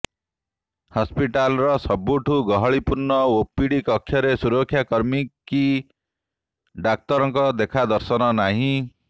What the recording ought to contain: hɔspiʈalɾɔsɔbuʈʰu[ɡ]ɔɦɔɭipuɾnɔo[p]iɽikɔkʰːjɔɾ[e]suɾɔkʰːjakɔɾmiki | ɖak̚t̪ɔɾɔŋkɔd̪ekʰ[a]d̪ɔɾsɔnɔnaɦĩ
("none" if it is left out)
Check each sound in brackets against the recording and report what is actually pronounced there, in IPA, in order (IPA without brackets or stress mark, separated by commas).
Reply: ɡ, p, e, a